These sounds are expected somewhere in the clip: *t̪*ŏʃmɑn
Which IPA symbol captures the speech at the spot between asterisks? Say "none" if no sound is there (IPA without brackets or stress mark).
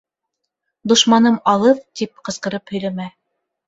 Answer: d̪